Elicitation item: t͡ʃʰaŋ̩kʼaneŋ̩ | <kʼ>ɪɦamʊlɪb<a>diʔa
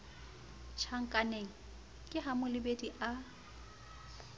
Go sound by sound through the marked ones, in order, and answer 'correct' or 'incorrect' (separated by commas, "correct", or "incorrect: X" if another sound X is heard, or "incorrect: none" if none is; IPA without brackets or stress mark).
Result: correct, incorrect: e